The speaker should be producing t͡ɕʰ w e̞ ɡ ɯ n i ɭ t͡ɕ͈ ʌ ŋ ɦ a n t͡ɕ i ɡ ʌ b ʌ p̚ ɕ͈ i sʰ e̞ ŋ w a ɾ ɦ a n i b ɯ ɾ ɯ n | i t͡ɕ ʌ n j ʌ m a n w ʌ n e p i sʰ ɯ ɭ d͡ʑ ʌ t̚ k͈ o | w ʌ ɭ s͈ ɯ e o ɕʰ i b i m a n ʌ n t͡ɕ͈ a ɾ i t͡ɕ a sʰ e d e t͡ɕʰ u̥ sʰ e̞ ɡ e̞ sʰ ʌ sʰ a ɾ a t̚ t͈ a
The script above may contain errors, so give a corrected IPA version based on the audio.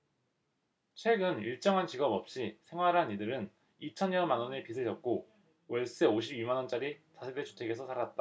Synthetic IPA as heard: t͡ɕʰ w e̞ ɡ ɯ n i ɭ t͡ɕ͈ ʌ ŋ ɦ a n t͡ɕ i ɡ ʌ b ʌ p̚ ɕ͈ i sʰ e̞ ŋ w a ɾ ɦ a n i d ɯ ɾ ɯ n | i t͡ɕʰ ʌ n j ʌ m a n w ʌ n e p i sʰ ɯ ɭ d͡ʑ ʌ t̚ k͈ o | w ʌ ɭ s͈ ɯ e o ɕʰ i b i m a n ʌ n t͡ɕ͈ a ɾ i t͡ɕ a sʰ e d e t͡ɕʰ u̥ tʰ e̞ ɡ e̞ sʰ ʌ sʰ a ɾ a t̚ t͈ a